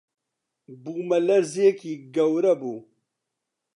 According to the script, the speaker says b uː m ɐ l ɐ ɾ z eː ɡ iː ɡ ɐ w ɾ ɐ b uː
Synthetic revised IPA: b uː m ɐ l ɐ ɾ z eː k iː ɡ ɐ w ɾ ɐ b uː